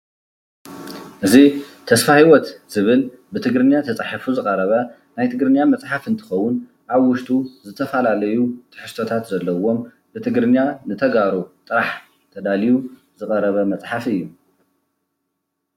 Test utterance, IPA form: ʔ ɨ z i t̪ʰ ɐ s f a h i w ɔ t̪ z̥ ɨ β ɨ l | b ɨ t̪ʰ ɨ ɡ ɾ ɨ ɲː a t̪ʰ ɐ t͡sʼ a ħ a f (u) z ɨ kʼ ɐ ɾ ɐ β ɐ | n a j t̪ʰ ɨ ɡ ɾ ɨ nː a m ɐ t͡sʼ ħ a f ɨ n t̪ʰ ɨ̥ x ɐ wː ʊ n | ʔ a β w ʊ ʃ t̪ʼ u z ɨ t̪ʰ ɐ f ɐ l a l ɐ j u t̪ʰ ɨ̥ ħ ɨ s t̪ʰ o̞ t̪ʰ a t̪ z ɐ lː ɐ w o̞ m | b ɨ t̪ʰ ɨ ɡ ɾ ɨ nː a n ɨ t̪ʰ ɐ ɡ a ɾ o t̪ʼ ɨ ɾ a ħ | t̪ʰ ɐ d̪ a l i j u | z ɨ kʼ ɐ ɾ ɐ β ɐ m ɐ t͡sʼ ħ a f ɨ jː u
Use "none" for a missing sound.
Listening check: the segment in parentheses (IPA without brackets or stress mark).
u